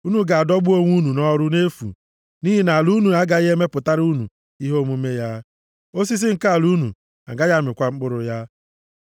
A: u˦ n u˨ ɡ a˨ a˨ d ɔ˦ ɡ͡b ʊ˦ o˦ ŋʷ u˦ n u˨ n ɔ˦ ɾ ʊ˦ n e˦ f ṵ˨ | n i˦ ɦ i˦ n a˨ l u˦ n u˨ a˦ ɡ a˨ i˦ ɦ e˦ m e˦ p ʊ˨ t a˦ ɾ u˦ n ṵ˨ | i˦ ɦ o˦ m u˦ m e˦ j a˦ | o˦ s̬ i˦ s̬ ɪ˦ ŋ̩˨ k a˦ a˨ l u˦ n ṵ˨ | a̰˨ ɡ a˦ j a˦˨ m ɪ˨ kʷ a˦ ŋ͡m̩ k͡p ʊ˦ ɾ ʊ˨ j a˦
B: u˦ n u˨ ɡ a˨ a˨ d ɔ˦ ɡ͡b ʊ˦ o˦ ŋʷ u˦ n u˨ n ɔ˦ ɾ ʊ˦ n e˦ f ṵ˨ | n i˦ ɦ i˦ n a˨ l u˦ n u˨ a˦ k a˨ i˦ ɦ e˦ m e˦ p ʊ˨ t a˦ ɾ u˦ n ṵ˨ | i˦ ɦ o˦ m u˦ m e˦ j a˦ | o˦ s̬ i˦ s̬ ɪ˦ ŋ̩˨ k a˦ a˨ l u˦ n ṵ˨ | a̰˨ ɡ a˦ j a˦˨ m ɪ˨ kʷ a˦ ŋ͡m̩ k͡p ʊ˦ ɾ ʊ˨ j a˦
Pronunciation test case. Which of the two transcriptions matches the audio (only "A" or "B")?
A